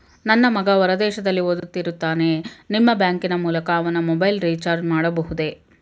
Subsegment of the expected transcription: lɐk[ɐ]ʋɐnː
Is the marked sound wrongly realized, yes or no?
yes